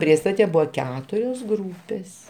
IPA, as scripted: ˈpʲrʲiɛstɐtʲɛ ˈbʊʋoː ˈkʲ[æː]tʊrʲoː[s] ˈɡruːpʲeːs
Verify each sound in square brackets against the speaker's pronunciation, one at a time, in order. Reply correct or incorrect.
correct, correct

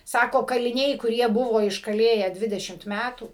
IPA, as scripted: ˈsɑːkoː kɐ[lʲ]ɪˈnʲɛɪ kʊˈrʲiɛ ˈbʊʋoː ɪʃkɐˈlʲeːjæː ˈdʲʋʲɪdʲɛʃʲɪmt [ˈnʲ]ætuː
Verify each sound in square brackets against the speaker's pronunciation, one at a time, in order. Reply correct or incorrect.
correct, incorrect

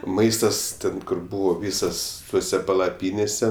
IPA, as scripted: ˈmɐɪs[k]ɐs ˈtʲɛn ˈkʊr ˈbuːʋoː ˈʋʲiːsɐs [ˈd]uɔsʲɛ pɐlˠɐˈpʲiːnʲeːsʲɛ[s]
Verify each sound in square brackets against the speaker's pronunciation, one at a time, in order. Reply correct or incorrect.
incorrect, incorrect, incorrect

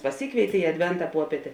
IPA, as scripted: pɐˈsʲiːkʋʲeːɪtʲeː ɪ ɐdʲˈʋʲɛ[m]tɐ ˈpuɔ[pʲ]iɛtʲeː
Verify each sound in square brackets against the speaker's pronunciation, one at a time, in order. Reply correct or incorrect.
incorrect, correct

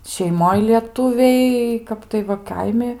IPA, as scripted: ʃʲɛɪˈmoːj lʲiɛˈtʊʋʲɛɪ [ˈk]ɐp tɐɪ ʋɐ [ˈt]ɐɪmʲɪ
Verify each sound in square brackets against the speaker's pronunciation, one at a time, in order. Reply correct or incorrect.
correct, incorrect

